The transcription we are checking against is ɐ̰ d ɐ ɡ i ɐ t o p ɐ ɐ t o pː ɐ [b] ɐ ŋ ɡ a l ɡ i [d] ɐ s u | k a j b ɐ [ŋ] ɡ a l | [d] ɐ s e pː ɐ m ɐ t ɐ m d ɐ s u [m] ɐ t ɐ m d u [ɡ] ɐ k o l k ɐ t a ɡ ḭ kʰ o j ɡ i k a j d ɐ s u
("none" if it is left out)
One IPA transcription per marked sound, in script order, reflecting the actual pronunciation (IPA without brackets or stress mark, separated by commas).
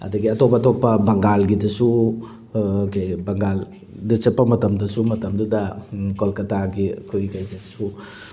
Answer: b, d, ŋ, d, m, d